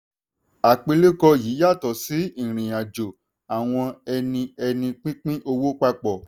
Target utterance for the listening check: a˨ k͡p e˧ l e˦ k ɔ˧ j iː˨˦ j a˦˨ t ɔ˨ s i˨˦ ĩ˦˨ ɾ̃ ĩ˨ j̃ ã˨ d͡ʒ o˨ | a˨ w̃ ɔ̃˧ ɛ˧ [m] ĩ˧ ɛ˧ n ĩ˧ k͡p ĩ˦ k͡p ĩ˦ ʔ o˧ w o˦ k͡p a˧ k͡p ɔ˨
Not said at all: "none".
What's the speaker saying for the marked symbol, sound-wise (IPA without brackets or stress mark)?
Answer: n